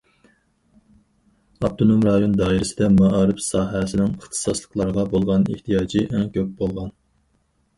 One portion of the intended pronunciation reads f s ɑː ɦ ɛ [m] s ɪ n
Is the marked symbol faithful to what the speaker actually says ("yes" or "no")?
no